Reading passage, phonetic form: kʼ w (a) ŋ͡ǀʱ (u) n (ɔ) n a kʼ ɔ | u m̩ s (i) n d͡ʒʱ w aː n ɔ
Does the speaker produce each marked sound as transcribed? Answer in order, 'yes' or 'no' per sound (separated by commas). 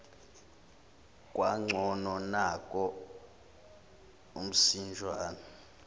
yes, no, yes, yes